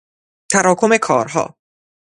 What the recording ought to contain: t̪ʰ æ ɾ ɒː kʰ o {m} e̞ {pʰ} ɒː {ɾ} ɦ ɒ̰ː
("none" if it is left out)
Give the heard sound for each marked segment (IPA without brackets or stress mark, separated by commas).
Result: m, kʰ, ɾ